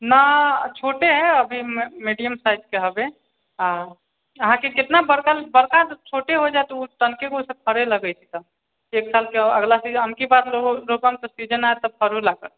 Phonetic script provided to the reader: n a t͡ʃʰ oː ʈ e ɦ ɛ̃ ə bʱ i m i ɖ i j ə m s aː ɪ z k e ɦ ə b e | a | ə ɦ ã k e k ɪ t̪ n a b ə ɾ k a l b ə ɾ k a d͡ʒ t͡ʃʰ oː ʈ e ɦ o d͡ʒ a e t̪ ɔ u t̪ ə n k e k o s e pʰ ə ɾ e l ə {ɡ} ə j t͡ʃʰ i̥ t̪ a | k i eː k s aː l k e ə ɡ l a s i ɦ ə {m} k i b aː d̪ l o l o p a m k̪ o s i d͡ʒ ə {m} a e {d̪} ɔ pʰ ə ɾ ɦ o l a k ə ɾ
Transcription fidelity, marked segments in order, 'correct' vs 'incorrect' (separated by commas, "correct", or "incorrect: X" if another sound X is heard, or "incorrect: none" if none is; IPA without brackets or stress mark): correct, correct, incorrect: n, incorrect: t̪